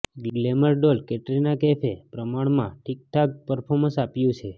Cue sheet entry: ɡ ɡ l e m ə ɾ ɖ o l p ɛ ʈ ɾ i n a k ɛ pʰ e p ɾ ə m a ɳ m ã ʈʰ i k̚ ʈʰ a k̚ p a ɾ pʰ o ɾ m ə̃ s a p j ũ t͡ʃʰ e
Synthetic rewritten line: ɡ ɡ l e m ə ɾ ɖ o l k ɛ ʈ ɾ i n a k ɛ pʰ e p ɾ ə m a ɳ m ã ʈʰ i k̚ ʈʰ a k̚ p ə ɾ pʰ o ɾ m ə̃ s a p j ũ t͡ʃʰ e